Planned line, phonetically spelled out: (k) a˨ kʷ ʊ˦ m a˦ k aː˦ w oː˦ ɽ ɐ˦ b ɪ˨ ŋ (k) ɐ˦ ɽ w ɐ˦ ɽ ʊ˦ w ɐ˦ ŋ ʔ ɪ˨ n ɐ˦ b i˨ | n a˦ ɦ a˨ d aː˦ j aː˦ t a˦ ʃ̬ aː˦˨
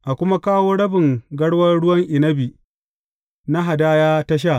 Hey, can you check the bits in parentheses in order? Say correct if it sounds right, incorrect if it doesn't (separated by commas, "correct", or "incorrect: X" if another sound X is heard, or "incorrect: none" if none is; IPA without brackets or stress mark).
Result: incorrect: ʔ, incorrect: ɡ